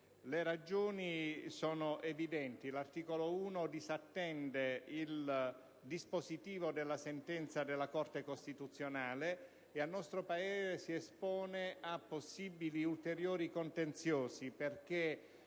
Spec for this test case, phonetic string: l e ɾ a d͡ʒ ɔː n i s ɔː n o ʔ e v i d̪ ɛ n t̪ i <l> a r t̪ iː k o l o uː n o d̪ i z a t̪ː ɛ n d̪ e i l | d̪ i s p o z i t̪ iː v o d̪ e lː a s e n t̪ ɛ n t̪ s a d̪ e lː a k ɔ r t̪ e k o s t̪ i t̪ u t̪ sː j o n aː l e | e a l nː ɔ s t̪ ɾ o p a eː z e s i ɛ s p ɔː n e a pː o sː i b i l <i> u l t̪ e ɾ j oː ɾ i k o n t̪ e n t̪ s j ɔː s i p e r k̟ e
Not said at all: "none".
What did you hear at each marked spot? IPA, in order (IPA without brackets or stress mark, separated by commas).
l, i